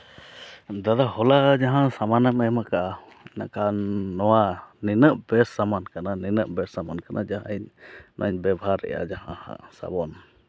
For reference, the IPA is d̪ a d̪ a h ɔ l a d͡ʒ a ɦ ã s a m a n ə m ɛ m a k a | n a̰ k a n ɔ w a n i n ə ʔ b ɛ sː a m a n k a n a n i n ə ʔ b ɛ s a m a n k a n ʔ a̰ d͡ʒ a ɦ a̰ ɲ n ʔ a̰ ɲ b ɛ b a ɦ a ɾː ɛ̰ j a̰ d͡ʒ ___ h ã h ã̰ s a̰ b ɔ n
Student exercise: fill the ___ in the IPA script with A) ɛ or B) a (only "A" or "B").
B